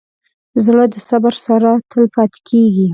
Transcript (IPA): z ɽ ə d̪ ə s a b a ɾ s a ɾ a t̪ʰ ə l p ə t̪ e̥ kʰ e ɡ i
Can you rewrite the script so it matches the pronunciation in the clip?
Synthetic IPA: z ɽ ə d̪ ə s a b a ɾ s a ɾ a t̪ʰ ə l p ɑ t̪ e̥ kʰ e ɡ i